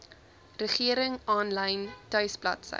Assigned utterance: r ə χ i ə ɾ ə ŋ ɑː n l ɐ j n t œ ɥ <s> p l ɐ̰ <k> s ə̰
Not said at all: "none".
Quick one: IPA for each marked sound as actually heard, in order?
s, t

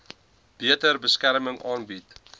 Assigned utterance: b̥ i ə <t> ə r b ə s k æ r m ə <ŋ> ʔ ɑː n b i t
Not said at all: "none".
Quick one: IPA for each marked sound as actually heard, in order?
t, ŋ

